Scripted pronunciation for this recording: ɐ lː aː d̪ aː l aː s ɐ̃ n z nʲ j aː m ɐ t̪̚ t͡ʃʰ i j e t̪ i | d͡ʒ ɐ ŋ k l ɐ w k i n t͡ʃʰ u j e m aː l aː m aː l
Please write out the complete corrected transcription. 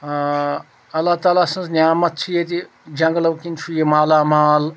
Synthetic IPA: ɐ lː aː t̪ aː l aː s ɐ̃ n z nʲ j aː m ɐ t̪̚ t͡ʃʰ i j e t̪ i | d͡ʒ ɐ ŋ ɡ l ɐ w k i n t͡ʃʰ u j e m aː l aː m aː l